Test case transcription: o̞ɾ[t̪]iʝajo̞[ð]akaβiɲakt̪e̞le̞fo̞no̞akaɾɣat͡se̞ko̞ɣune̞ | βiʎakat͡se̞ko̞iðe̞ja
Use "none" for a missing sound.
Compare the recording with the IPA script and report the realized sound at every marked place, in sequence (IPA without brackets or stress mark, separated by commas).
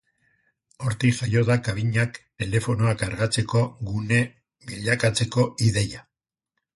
t̪, ð